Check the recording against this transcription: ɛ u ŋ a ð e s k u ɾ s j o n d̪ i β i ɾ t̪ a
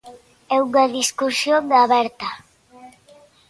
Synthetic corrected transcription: ɛ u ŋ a ð i s k u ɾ s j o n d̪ a β ɛ ɾ t̪ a